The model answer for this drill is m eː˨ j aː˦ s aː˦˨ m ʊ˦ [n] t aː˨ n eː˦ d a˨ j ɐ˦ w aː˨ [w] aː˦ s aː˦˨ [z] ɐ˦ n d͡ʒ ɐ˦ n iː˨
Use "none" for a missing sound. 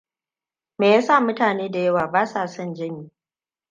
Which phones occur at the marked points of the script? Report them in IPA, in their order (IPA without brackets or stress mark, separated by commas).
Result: none, b, s